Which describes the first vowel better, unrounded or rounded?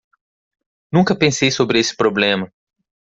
rounded